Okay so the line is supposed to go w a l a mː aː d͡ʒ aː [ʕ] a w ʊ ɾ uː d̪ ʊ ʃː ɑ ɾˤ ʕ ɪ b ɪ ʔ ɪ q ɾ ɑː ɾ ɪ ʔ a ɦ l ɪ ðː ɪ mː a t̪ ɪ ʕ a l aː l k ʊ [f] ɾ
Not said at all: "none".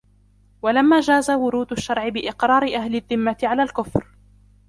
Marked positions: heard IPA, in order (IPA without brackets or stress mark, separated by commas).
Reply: z, f